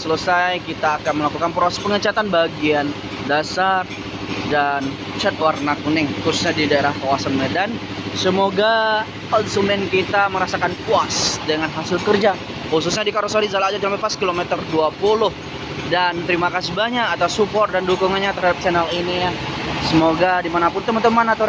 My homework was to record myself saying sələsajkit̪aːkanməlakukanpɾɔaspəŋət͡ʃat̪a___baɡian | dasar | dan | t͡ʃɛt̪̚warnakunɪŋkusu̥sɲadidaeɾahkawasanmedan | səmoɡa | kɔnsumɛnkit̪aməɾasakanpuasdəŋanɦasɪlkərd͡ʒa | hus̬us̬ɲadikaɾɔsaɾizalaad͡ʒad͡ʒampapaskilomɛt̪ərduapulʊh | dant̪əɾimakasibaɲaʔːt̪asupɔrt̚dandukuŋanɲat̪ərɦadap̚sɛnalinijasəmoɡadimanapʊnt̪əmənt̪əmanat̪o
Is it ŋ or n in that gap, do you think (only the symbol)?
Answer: n